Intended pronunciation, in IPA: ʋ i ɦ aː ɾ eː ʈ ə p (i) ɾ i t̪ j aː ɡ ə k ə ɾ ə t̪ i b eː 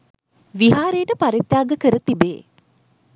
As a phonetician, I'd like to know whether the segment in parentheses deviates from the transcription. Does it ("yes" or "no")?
yes